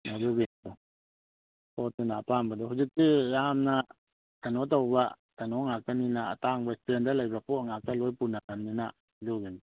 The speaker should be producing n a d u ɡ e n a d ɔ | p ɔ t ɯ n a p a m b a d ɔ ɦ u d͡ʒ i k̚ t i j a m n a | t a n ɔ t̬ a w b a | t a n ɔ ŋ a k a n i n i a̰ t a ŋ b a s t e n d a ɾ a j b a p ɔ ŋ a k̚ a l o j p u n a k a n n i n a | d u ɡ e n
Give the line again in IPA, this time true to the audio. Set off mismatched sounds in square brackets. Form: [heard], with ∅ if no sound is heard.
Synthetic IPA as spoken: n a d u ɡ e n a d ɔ | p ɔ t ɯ n a p a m b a d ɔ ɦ u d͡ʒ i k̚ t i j a m n a | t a n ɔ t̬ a w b a | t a n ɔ ŋ a k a n i n [a] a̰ t a ŋ b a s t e n d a [l] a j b a p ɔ ŋ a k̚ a l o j p u n a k a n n i n a | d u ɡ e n

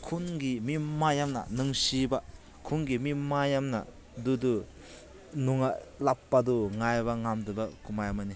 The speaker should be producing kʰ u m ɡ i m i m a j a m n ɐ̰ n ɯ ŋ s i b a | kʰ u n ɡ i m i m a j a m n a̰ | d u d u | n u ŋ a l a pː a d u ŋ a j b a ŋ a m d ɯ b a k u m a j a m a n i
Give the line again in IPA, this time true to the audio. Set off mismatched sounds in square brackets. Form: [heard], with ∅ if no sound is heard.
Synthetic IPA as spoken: kʰ u [n] ɡ i m i m a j a m n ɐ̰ n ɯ ŋ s i b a | kʰ u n ɡ i m i m a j a m n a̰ | d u d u | n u ŋ a l a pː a d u ŋ a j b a ŋ a m d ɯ b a k u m a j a m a n i

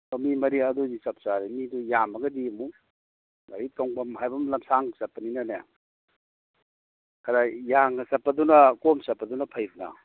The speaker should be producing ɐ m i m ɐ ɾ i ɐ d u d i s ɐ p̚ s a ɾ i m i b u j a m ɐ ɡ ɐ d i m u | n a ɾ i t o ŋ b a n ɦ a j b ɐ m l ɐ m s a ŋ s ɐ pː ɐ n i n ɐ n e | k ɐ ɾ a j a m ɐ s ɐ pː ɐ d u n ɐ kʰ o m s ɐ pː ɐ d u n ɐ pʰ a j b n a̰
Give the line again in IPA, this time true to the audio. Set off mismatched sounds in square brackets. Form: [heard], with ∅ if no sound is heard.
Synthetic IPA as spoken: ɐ m i m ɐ ɾ i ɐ d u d i s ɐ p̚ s a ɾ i m i [d] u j a m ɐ ɡ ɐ d i m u | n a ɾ i t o ŋ b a [m] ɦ a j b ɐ m l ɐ m s a ŋ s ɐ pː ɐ n i n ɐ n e | k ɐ ɾ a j a [ŋ] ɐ s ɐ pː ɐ d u n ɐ [k] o m s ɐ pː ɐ d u n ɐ pʰ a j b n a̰

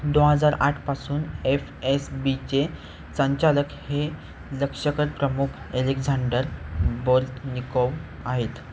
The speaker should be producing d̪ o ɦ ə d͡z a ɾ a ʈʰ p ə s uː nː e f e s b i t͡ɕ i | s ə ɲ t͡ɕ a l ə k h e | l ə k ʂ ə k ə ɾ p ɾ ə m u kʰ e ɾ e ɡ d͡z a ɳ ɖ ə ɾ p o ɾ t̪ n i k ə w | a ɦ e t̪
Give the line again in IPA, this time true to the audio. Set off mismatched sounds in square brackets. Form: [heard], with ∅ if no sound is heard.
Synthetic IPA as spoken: d̪ o ɦ ə d͡z a ɾ a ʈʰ p [a] s uː [n] e f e s b i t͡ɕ [e] | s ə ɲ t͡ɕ a l ə k h e | l ə k ʂ ə k ə ɾ p ɾ ə m u kʰ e [l] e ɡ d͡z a ɳ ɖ ə ɾ [b] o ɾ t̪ n i k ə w | a ɦ e t̪

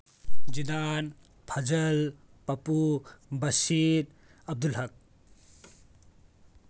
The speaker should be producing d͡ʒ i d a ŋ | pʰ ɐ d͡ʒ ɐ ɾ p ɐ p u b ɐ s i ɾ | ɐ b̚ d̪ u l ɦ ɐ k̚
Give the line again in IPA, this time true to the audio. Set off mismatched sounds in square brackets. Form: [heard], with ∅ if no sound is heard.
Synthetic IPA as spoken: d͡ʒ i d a [n] | pʰ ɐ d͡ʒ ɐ [l] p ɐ p u b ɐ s i ɾ | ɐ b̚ d̪ u l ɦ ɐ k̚

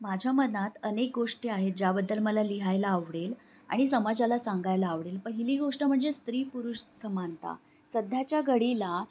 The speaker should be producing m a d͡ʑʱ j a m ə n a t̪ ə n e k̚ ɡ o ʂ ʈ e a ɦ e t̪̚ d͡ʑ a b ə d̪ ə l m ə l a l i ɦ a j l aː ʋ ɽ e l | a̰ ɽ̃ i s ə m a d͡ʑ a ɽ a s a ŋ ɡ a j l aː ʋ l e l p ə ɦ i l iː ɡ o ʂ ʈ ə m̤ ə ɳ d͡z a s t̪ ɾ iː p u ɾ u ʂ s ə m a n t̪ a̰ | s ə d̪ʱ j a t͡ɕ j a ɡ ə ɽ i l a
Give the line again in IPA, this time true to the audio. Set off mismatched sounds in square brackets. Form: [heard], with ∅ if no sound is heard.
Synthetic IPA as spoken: m a d͡ʑʱ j a m ə n a t̪ ə n e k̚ ɡ o ʂ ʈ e a ɦ e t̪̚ d͡ʑ a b ə [d̪ː] ə l m ə l a l i ɦ a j l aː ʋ ɽ e l | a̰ ɽ̃ i s ə m a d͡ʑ a [l] a s a ŋ ɡ a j l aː ʋ [ɽ] e l p ə ɦ i l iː ɡ o ʂ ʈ ə m̤ ə ɳ d͡z [e] s t̪ ɾ iː p u ɾ u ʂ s ə m a n t̪ a̰ | s ə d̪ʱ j a t͡ɕ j a ɡ ə ɽ i l a

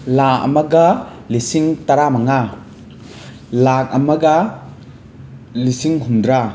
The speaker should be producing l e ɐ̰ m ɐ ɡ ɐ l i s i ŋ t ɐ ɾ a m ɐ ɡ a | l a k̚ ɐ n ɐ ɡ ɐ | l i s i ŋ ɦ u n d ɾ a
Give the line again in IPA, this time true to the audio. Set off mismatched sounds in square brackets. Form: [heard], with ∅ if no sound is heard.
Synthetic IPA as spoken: l [a] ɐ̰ m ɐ ɡ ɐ l i s i ŋ t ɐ ɾ a m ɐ [ŋ] a | l a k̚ ɐ [m] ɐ ɡ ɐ | l i s i ŋ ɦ u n d ɾ a

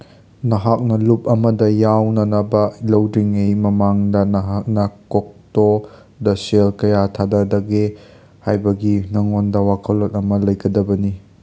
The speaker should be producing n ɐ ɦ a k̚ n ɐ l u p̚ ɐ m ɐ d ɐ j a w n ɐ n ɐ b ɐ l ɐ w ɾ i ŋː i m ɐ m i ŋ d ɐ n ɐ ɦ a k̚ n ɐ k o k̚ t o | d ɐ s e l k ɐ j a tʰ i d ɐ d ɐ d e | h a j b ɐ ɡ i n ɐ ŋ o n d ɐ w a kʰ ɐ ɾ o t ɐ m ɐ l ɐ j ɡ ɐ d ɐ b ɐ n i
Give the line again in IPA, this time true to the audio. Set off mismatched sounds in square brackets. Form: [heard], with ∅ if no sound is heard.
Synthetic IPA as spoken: n ɐ ɦ a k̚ n ɐ l u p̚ ɐ m ɐ d ɐ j a w n ɐ n ɐ b ɐ l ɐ w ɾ i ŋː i m ɐ m [a] ŋ d ɐ n ɐ ɦ a k̚ n ɐ k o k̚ t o | d ɐ s e l k ɐ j a tʰ [a] d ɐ d ɐ [ɡ] e | h a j b ɐ ɡ i n ɐ ŋ o n d ɐ w a kʰ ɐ [l] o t ɐ m ɐ l ɐ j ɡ ɐ d ɐ b ɐ n i

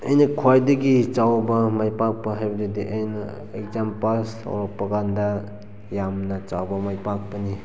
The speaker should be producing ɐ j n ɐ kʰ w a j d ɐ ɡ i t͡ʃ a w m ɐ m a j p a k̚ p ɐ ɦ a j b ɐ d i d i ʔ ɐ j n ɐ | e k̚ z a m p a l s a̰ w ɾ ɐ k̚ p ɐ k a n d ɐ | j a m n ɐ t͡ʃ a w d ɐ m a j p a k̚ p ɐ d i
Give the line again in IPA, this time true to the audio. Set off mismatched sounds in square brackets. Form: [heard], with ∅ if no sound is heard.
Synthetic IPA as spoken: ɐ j n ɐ kʰ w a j d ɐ ɡ i t͡ʃ a w [b] ɐ m a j p a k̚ p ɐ ɦ a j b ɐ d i d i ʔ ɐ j n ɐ | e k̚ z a m p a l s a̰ w ɾ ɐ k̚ p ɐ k a n d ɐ | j a m n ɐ t͡ʃ a w [b] ɐ m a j p a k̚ p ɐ [n] i

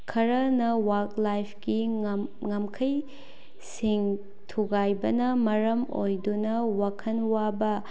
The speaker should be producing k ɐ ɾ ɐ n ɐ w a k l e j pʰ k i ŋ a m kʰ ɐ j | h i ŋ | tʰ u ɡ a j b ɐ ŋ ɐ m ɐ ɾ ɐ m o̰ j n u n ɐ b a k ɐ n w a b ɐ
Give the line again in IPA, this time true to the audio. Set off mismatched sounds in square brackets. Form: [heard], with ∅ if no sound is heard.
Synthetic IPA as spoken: [kʰ] ɐ ɾ ɐ n ɐ w a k l [a] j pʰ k i ŋ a m kʰ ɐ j | [s] i ŋ | tʰ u ɡ a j b ɐ [n] ɐ m ɐ ɾ ɐ m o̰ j [d] u n ɐ [w] a [kʰ] ɐ n w a b ɐ

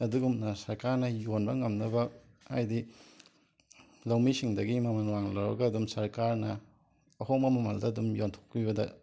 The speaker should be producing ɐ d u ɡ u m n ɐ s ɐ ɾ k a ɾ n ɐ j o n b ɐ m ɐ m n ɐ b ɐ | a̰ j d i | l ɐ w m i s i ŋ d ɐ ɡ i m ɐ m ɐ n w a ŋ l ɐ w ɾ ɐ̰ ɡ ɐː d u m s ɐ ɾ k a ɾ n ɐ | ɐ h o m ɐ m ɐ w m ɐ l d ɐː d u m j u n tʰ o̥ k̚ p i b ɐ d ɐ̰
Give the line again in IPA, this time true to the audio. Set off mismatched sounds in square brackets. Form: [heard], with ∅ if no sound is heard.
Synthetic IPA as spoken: ɐ d u ɡ u m n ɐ s ɐ ɾ k a ɾ n ɐ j o n b ɐ [ŋ] ɐ m n ɐ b ɐ | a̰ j d i | l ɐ w m i s i ŋ d ɐ ɡ i m ɐ m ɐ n w a ŋ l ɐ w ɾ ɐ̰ ɡ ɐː d u m s ɐ ɾ k a ɾ n ɐ | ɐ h o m ɐ m ɐ [∅] m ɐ l d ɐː d u m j [o] n tʰ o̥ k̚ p i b ɐ d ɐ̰

